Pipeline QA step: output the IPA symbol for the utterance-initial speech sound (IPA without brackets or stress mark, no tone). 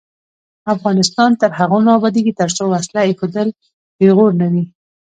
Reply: a